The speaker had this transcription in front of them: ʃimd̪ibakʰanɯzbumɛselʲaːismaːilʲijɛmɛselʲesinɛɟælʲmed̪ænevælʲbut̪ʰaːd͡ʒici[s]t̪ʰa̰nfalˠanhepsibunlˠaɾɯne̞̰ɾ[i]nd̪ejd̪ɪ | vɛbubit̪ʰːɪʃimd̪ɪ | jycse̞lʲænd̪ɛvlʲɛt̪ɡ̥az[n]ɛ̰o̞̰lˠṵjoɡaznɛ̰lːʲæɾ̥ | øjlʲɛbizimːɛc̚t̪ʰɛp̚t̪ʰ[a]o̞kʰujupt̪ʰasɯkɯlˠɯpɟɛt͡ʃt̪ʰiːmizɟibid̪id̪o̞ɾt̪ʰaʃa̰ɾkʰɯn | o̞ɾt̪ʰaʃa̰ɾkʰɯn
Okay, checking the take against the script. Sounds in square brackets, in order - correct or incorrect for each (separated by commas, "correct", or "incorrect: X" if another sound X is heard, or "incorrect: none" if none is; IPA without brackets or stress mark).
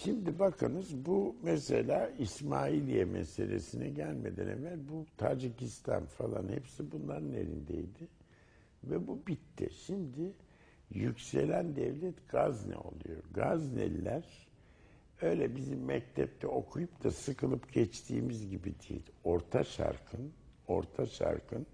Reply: correct, correct, correct, incorrect: ɛ